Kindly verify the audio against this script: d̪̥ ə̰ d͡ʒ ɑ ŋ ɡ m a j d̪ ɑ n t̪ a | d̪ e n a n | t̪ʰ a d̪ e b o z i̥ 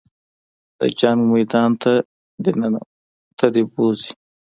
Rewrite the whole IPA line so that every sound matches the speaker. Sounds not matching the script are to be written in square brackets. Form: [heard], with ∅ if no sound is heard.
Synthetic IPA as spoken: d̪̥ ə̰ d͡ʒ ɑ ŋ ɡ m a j d̪ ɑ n t̪ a | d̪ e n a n | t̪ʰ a d̪ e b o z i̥